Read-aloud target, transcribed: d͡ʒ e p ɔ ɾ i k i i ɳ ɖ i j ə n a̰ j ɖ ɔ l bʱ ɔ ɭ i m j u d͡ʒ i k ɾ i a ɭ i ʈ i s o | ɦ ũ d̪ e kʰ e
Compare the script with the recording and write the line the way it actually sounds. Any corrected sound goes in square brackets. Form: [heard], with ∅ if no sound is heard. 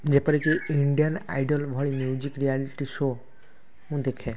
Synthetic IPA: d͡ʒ e p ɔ ɾ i k i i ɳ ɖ i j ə n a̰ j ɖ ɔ l bʱ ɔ ɭ i m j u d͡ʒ i k ɾ i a [l] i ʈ i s o | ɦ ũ d̪ e kʰ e

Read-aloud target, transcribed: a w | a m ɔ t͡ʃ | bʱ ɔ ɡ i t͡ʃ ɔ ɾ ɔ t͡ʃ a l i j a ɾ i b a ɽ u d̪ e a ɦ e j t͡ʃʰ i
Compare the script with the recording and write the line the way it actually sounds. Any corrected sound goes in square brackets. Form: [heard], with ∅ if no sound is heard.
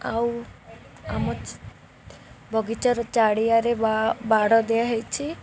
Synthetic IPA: a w | a m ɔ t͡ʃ | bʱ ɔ ɡ i t͡ʃ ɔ ɾ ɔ t͡ʃ a [ɽ] i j a ɾ [e] b a ɽ [ɔ] d̪ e a ɦ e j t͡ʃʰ i

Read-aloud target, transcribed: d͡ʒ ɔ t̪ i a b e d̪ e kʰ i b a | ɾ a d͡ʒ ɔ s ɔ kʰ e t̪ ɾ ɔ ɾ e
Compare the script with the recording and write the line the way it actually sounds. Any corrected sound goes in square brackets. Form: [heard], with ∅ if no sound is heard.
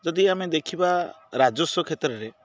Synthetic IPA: d͡ʒ ɔ [d̪] i a [m] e d̪ e kʰ i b a | ɾ a d͡ʒ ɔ s ɔ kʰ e t̪ ɾ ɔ ɾ e

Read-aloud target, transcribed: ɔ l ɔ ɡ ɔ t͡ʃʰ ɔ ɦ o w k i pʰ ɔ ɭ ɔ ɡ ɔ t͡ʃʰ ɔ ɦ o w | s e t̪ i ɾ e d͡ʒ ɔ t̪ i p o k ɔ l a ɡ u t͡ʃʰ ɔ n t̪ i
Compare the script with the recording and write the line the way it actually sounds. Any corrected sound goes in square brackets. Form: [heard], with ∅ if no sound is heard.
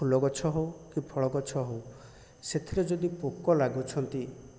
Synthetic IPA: [u] l ɔ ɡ ɔ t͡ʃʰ ɔ ɦ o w k i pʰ ɔ ɭ ɔ ɡ ɔ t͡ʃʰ ɔ ɦ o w | s e [t̪ʰ] i ɾ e d͡ʒ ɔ [d̪] i p o k ɔ l a ɡ u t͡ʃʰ ɔ n t̪ i

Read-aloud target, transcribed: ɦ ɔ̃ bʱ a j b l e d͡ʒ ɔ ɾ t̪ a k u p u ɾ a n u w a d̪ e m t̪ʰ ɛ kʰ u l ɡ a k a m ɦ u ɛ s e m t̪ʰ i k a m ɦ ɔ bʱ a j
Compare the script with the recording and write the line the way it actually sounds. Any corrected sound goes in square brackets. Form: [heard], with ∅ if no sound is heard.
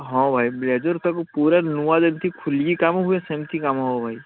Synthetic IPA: ɦ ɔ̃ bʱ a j b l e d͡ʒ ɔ ɾ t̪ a k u p u ɾ a n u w a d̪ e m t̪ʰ [i] kʰ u l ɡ [i] k a m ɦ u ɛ s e m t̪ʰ i k a m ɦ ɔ bʱ a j

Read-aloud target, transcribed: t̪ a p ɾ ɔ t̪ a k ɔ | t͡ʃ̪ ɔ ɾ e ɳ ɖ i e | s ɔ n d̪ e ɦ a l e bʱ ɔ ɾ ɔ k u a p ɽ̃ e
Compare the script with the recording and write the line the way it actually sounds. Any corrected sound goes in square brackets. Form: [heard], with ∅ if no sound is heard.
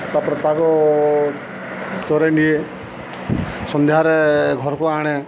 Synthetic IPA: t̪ a p ɾ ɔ t̪ a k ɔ | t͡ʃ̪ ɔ ɾ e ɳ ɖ i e | s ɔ n d̪ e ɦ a [ɾ] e [ɡʱ] ɔ ɾ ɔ k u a [∅] ɽ̃ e

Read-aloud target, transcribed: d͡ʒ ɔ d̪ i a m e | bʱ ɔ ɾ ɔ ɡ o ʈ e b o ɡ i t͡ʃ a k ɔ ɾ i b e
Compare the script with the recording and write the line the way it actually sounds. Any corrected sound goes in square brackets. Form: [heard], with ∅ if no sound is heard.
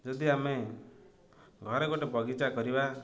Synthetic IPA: d͡ʒ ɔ d̪ i a m e | [ɡʱ] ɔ ɾ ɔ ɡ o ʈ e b [ɔ] ɡ i t͡ʃ a k ɔ ɾ i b [a]

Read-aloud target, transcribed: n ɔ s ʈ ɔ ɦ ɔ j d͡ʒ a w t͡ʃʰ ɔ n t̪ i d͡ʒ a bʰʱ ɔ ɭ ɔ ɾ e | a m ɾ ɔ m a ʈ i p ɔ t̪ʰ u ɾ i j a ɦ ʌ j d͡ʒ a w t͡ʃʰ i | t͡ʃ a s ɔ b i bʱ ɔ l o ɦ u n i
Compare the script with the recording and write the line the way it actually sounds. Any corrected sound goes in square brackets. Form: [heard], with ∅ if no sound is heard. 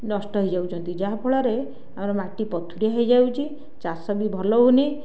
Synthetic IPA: n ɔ s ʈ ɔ ɦ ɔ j d͡ʒ a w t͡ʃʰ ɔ n t̪ i d͡ʒ a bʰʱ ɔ ɭ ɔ ɾ e | a m ɾ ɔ m a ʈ i p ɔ t̪ʰ u ɾ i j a ɦ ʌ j d͡ʒ a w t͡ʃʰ i | t͡ʃ a s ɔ b i bʱ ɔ l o ɦ u n i

